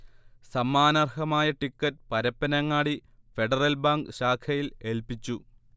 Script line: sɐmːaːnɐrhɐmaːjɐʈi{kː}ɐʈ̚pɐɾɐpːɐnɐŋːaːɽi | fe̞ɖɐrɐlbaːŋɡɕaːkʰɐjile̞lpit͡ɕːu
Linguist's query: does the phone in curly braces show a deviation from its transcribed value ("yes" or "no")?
no